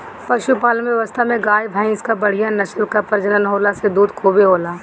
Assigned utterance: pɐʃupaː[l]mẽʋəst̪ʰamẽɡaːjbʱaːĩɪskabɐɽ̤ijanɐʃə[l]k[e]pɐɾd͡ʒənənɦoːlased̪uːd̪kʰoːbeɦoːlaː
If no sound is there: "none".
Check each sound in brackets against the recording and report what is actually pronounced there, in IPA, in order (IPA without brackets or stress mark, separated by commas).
l, l, a